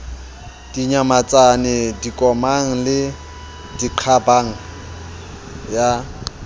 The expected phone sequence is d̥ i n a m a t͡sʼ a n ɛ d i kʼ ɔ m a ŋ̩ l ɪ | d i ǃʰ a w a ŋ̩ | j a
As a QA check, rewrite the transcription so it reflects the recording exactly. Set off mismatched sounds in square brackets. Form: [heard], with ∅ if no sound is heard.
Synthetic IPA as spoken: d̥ i [ɲ] a m a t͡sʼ a n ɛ d i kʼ ɔ m a ŋ̩ l ɪ | d i ǃʰ a [b] a ŋ̩ | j a